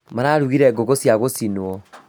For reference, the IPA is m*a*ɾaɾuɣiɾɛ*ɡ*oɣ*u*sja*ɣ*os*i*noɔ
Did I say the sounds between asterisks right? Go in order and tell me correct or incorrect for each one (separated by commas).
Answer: correct, correct, incorrect, correct, correct